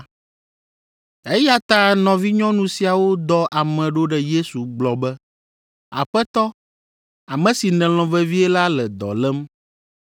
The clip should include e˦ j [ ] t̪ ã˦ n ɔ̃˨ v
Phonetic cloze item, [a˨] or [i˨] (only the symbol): a˨